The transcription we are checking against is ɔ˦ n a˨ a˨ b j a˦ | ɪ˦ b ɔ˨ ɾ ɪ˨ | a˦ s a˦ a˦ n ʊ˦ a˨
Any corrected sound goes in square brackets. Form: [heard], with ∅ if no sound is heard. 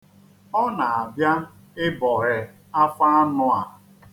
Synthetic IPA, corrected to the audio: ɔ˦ n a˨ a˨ b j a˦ | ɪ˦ b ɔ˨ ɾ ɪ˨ | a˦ [f] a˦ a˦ n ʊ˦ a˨